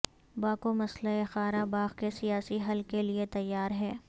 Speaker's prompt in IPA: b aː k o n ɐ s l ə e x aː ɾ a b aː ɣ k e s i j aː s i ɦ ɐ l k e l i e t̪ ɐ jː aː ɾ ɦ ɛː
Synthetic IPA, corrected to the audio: b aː k o m ɐ s l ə e x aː ɾ a b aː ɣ k e s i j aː s i ɦ ɐ l k e l i e t̪ ɐ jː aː ɾ ɦ ɛː